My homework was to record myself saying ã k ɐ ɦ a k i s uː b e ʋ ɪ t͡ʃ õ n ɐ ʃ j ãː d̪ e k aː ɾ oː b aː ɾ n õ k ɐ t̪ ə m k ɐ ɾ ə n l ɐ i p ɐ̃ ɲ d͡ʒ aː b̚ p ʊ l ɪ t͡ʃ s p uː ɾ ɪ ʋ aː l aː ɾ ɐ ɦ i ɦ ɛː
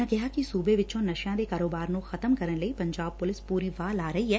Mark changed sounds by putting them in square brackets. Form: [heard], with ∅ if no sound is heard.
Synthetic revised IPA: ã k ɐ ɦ a k i s uː b e ʋ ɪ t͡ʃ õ n ɐ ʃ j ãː d̪ e k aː ɾ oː b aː ɾ n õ [x] ɐ t̪ ə m k ɐ ɾ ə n l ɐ i p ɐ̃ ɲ d͡ʒ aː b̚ p ʊ l ɪ [∅] s p uː ɾ [i] ʋ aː l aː ɾ ɐ ɦ i ɦ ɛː